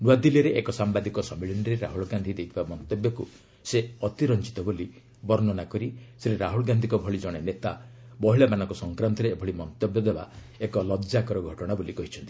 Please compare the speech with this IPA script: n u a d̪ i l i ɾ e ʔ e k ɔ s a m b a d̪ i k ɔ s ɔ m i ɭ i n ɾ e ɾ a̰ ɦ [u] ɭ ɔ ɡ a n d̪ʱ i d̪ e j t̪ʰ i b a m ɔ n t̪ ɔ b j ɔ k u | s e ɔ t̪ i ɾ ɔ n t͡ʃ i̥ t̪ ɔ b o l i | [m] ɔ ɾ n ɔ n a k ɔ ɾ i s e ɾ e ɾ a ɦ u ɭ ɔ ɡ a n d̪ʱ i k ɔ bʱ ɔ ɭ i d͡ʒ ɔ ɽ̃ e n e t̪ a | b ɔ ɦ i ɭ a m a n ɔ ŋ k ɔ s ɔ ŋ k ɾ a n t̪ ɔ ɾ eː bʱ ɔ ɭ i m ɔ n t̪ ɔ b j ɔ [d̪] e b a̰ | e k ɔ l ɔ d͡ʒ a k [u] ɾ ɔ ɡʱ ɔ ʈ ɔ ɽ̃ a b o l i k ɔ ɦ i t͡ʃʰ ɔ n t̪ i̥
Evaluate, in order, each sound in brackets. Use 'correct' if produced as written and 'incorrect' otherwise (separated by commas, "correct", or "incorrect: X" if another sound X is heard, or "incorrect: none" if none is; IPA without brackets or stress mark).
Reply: correct, incorrect: b, correct, incorrect: ɔ